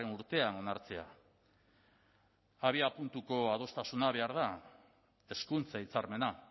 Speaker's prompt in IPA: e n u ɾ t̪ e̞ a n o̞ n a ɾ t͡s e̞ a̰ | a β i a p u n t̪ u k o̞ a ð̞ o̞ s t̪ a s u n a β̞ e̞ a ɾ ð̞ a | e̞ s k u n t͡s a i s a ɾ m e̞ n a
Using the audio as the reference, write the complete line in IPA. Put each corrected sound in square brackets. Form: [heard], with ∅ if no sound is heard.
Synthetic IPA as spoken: e n u ɾ t̪ e̞ a n o̞ n a ɾ t͡s e̞ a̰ | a β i a p u n t̪ u k o̞ a ð̞ o̞ s t̪ a s u n a β̞ e̞ a ɾ ð̞ a | e̞ s k u n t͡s a i [t͡s] a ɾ m e̞ n a